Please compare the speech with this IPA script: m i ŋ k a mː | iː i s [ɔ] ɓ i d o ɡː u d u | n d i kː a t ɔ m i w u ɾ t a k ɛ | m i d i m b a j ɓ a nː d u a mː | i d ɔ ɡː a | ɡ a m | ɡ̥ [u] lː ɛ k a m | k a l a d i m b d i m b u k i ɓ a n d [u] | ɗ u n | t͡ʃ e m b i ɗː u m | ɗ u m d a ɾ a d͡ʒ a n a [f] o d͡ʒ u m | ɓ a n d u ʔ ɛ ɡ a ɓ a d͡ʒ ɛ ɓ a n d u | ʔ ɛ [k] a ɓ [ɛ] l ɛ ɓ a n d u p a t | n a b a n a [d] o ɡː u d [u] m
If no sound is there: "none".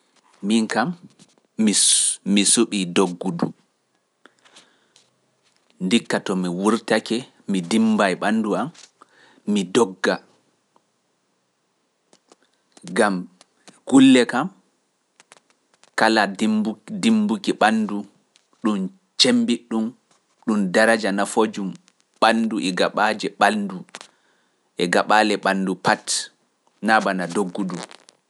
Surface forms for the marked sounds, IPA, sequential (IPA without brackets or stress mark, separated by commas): u, u, u, f, ɡ, a, d, u